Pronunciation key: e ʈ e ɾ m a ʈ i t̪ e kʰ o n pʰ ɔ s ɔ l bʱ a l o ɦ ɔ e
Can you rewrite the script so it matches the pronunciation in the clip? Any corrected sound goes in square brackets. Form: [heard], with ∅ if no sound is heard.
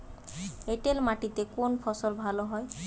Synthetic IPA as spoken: e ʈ e [l] m a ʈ i t̪ e [k] o n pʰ ɔ s ɔ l bʱ a l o ɦ ɔ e